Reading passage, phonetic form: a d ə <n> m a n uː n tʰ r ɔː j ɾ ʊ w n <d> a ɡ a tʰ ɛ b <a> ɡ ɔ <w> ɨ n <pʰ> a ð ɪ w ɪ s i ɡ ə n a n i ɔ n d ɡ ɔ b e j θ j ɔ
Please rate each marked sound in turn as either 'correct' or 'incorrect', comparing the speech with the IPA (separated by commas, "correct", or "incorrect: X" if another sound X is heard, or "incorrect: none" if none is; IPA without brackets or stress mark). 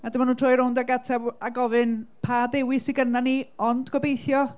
incorrect: none, correct, correct, incorrect: v, correct